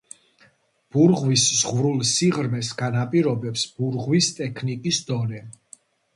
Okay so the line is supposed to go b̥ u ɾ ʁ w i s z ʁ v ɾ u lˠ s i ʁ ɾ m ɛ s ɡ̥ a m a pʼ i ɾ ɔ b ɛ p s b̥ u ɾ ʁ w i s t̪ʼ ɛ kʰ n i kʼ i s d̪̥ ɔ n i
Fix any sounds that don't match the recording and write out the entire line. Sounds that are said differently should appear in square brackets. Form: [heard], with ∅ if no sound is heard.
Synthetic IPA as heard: b̥ u ɾ ʁ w i s z ʁ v ɾ u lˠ s i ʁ ɾ m ɛ s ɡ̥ a [n] a pʼ i ɾ ɔ b ɛ p s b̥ u ɾ ʁ w i s t̪ʼ ɛ kʰ n i kʼ i s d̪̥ ɔ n [ɛ]